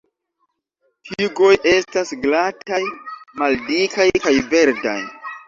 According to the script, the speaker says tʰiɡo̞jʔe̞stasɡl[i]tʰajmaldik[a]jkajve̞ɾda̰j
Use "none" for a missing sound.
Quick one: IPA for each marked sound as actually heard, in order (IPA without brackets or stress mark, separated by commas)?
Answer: a, a